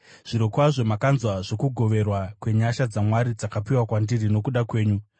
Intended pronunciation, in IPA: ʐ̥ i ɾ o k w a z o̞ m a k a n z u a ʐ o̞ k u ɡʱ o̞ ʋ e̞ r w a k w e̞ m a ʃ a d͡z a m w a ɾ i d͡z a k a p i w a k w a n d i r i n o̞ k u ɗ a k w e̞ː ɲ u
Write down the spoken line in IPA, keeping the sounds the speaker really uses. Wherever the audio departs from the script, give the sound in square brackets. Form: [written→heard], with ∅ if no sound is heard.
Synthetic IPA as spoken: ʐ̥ i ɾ o k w a [z→ʐ] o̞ m a k a n z [u→w] a ʐ o̞ k u ɡʱ o̞ ʋ e̞ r w a k w e̞ [m→ɲ] a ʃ a d͡z a m w a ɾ i d͡z a k a p i w a k w a n d i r i n o̞ k u ɗ a k w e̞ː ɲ u